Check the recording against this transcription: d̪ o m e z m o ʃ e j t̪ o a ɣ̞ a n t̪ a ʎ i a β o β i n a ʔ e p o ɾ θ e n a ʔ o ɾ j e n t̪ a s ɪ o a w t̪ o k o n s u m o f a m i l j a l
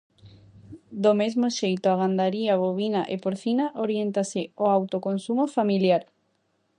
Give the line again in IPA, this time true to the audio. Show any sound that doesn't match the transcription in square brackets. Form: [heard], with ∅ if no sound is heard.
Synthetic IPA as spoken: d̪ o m e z m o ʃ e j t̪ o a ɣ̞ a n [d̪] a [ɾ] i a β o β i n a ʔ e p o ɾ θ [i] n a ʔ o ɾ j e n t̪ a s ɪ o a w t̪ o k o n s u m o f a m i l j a [ɾ]